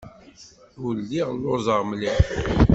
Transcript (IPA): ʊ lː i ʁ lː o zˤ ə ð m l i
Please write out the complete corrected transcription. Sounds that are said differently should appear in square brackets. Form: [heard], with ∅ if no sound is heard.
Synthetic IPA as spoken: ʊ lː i ʁ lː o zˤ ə [ʁ] m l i

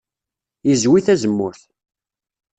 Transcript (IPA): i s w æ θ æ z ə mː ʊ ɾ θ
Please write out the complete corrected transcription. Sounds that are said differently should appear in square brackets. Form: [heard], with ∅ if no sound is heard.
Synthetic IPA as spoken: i [z] w [i] θ æ z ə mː ʊ ɾ θ

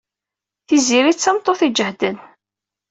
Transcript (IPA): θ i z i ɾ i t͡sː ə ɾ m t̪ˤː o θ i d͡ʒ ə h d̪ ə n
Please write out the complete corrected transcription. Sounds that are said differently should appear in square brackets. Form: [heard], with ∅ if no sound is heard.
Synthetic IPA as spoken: θ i z i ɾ i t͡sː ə [∅] m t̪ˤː o θ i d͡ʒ ə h d̪ ə n

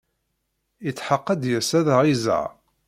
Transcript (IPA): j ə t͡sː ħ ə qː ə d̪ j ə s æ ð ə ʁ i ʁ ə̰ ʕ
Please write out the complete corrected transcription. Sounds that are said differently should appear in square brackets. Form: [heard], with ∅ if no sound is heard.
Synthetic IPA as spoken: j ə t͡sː ħ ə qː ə d̪ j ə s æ ð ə ʁ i [z] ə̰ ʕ

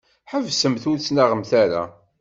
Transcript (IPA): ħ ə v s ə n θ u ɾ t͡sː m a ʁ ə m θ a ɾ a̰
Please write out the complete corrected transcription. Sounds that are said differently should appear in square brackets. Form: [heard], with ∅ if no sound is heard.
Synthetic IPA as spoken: ħ ə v s ə [m] θ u ɾ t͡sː [n] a ʁ ə m θ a ɾ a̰

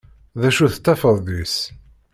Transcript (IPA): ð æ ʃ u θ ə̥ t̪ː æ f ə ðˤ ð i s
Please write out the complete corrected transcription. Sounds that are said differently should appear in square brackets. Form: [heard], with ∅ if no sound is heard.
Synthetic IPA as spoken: ð æ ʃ u θ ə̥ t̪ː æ f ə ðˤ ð i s

